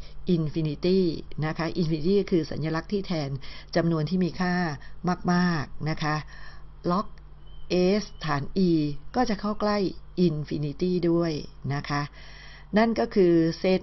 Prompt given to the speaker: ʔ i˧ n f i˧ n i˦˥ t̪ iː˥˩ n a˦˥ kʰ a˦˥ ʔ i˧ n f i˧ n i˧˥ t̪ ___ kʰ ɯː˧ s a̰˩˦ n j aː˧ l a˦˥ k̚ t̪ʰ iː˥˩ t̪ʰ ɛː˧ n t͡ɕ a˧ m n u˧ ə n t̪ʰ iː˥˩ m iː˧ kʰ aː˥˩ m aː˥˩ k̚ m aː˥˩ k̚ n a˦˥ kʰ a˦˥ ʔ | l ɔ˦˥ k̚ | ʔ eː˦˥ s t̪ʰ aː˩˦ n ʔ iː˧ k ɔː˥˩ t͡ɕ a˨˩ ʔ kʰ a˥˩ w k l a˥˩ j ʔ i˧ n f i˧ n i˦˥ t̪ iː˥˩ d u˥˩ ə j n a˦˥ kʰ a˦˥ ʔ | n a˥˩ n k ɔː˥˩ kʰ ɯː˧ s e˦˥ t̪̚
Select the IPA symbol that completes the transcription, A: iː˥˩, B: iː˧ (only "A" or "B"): A